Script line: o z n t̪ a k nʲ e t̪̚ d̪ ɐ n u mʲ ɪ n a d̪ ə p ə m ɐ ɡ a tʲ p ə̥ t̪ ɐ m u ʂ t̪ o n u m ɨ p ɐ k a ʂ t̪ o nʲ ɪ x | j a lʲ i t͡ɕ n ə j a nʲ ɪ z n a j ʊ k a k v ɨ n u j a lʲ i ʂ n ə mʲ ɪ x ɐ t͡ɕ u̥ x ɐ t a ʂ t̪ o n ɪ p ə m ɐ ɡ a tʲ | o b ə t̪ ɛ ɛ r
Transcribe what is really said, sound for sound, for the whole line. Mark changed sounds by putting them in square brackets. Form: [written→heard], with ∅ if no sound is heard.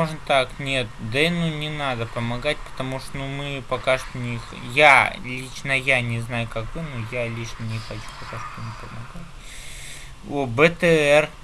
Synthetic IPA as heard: o [z→ʐ] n t̪ a k nʲ e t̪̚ d̪ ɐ n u [mʲ→nʲ] ɪ n a d̪ ə p ə m ɐ ɡ a tʲ p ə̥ t̪ ɐ m u ʂ t̪ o n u m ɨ p ɐ k a ʂ t̪ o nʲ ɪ x | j a lʲ i t͡ɕ n ə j a nʲ ɪ z n a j ʊ k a k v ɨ n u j a lʲ i ʂ n ə [mʲ→nʲ] ɪ x ɐ t͡ɕ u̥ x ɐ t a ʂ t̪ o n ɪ p ə m ɐ ɡ a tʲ | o b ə t̪ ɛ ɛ r